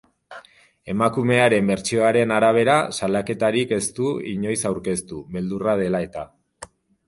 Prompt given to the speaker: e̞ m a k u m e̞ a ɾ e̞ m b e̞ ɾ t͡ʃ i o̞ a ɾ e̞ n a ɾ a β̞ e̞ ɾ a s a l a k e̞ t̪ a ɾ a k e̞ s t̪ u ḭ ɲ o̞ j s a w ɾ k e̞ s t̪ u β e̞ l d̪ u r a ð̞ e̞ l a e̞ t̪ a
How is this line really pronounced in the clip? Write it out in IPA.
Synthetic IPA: e̞ m a k u m e̞ a ɾ e̞ m b e̞ ɾ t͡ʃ i o̞ a ɾ e̞ n a ɾ a β̞ e̞ ɾ a s a l a k e̞ t̪ a ɾ i k e̞ s t̪ u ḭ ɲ o̞ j s a w ɾ k e̞ s t̪ u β e̞ l d̪ u r a ð̞ e̞ l a e̞ t̪ a